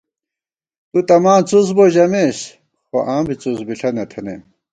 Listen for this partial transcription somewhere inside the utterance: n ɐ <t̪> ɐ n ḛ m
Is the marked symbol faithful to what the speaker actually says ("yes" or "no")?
no